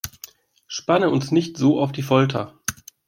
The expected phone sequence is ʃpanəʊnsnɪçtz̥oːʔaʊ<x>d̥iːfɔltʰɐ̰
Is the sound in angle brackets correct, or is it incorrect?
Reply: incorrect: f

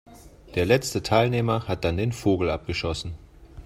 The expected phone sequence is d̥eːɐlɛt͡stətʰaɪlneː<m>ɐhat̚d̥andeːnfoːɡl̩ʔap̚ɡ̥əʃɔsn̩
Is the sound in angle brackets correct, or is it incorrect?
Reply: correct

